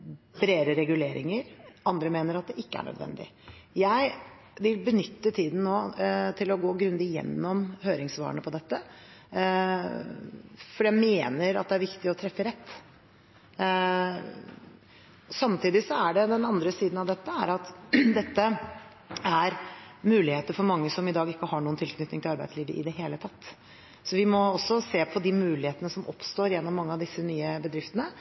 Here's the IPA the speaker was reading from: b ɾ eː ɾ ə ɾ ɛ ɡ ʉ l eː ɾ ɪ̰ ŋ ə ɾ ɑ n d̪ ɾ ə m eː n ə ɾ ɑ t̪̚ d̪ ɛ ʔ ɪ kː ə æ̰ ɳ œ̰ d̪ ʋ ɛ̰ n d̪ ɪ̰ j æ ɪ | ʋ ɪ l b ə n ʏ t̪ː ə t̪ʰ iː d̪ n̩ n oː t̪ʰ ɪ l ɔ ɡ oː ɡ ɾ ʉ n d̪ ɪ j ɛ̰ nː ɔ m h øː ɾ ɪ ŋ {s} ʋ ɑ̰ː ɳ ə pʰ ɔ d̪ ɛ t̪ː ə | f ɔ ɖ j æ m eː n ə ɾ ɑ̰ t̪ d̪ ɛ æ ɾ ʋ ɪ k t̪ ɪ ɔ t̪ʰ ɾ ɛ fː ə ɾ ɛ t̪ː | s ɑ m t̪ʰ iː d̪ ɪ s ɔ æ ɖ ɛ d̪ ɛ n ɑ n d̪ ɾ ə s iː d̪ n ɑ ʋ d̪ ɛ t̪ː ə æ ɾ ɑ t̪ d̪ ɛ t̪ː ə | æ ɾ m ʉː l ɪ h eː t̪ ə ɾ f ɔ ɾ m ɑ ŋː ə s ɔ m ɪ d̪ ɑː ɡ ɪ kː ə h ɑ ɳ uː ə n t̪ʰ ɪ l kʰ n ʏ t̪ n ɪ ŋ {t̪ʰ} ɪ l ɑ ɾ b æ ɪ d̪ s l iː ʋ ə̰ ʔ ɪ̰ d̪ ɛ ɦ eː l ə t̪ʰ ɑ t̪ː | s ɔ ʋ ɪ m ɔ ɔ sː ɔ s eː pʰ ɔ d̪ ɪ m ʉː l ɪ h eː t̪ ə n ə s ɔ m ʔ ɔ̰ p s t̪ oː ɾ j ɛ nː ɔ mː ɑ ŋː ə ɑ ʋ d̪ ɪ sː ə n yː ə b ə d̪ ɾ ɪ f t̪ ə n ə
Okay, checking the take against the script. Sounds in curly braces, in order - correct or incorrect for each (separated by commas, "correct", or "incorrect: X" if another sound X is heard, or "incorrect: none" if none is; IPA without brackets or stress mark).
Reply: correct, incorrect: t̪